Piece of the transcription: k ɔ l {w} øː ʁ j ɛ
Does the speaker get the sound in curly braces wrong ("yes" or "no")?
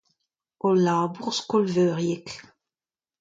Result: yes